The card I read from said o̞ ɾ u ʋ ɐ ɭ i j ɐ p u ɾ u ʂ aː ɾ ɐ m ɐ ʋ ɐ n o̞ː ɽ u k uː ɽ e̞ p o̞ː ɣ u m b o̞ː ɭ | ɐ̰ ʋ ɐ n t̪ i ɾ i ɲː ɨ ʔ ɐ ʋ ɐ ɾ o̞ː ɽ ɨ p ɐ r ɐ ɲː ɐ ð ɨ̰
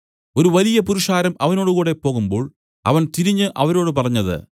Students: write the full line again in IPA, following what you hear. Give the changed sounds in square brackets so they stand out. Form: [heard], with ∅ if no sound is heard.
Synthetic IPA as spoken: o̞ ɾ u ʋ ɐ [l] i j ɐ p u ɾ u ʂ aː ɾ ɐ m ɐ ʋ ɐ n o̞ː ɽ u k uː ɽ e̞ p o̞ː ɣ u m b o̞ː ɭ | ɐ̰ ʋ ɐ n t̪ i ɾ i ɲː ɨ ʔ ɐ ʋ ɐ ɾ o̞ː ɽ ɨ p ɐ r ɐ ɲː ɐ ð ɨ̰